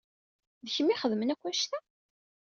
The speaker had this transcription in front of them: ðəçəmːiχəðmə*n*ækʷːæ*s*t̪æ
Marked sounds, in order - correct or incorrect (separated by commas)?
correct, incorrect